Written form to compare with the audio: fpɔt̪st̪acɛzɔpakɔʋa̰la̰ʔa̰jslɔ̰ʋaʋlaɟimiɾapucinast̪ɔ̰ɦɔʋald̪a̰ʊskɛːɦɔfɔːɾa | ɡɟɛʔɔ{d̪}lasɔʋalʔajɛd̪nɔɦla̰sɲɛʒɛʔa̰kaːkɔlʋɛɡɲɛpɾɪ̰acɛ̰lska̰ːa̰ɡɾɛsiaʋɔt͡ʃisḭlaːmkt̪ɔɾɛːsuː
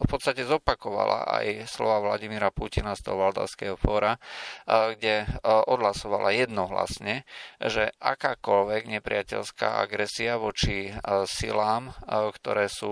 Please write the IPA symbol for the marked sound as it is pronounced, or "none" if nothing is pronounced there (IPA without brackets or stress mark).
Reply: d̪